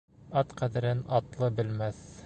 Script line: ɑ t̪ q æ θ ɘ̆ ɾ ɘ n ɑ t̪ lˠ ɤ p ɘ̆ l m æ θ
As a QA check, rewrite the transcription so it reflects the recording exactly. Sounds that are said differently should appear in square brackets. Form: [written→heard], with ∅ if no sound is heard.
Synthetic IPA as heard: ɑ t̪ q æ [θ→ð] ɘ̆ ɾ ɘ n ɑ t̪ lˠ ɤ [p→b] ɘ̆ l m æ θ